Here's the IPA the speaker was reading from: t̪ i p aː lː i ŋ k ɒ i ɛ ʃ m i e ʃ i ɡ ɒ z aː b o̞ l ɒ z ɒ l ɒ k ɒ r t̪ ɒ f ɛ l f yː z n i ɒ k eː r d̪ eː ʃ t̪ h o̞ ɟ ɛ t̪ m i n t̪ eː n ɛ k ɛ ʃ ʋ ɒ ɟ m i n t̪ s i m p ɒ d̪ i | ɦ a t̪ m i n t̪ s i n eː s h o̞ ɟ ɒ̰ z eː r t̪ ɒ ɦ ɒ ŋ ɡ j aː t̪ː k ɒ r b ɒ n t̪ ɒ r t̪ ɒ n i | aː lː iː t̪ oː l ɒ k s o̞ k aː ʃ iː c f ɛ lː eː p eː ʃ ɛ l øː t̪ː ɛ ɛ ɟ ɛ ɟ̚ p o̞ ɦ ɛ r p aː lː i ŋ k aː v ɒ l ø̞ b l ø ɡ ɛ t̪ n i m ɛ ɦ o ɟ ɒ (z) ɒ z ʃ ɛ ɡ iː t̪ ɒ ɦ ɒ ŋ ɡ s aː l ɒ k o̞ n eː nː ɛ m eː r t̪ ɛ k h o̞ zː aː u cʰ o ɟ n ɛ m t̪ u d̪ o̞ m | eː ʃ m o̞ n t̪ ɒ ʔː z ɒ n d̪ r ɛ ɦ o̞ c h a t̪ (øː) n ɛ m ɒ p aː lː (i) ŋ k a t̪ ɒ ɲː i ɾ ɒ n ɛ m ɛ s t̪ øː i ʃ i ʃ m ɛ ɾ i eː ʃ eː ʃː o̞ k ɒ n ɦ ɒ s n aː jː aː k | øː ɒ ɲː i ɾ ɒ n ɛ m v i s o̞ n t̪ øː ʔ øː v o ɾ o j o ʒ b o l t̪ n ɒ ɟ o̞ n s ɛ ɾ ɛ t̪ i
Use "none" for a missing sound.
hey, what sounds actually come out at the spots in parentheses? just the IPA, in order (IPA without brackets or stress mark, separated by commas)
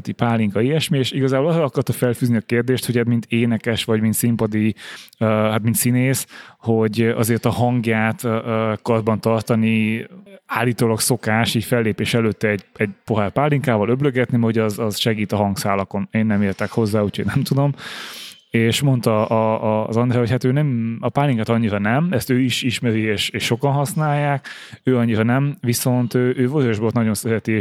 z, øː, i